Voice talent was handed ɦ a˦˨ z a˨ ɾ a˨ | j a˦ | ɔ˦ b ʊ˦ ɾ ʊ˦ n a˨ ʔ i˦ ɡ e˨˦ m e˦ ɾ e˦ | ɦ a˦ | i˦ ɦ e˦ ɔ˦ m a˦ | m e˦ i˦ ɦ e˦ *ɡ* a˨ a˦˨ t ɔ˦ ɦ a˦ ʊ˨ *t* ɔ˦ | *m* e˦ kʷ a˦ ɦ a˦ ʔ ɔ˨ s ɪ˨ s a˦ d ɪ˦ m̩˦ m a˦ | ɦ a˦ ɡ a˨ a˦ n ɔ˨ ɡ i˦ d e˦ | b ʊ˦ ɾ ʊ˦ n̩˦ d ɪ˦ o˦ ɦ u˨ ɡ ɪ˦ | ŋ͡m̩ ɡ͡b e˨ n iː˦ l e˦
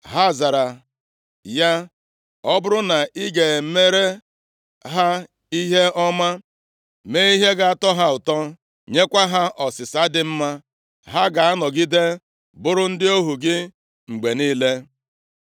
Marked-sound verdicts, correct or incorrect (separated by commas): correct, correct, incorrect